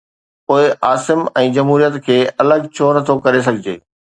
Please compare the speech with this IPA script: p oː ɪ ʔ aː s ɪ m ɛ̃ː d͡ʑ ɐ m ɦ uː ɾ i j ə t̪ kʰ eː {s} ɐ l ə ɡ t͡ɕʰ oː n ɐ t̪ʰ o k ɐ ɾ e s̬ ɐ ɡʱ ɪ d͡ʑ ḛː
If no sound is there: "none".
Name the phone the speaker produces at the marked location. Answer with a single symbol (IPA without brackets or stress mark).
none